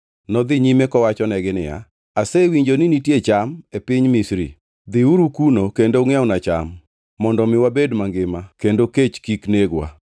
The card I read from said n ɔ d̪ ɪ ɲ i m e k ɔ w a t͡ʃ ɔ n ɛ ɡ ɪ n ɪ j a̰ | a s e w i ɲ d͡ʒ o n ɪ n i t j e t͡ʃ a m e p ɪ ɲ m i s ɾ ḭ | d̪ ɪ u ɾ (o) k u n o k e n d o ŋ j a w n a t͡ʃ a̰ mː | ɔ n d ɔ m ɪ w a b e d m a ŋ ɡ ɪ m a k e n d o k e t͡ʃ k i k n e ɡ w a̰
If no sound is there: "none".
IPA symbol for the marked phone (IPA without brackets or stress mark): u